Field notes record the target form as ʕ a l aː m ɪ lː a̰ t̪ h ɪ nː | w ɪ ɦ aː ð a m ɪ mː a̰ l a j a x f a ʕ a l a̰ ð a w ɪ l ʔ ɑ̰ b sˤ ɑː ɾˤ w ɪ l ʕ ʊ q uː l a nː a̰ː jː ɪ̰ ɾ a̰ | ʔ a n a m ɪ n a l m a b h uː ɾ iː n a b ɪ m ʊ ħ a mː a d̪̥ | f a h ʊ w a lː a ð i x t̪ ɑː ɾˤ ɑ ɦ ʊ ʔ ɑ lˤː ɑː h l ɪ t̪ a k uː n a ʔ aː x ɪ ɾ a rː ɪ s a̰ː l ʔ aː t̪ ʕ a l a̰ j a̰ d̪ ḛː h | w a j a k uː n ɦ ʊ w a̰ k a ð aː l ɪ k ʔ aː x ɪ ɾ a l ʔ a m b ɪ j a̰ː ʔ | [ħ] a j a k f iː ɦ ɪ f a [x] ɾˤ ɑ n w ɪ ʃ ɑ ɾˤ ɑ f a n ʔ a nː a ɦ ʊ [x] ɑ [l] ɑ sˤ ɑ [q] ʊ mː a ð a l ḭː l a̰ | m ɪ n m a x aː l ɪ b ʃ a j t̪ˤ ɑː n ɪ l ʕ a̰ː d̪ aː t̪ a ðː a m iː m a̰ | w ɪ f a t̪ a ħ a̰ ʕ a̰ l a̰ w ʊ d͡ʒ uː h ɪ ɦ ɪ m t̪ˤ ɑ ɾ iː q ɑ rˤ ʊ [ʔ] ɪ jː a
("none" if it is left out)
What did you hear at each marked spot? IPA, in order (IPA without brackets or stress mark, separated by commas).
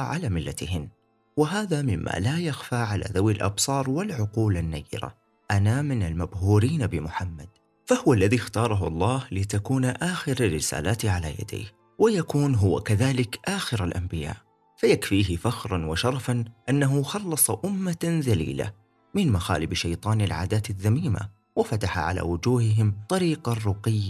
f, x, x, lː, ʔ, q